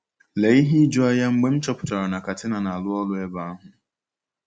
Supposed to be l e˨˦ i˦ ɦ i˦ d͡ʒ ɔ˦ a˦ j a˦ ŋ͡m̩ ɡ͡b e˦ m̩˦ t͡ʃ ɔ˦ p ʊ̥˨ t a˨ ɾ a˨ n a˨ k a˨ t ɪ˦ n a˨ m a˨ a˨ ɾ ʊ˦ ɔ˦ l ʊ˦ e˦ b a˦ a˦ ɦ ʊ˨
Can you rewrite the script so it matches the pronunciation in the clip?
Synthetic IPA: l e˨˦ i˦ ɦ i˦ d͡ʒ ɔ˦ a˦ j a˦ ŋ͡m̩ ɡ͡b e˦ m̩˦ t͡ʃ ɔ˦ p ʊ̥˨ t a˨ ɾ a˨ n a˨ k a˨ t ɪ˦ n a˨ n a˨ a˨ l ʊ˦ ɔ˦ l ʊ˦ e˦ b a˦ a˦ ɦ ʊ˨